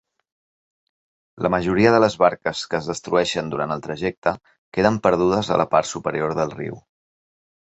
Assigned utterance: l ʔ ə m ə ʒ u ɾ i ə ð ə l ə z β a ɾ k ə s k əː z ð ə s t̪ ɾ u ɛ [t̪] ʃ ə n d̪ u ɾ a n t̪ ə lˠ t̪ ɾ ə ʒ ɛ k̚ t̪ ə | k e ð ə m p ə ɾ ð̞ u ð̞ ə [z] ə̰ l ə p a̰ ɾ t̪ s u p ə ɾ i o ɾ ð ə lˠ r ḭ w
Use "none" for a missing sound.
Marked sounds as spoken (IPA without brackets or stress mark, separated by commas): none, z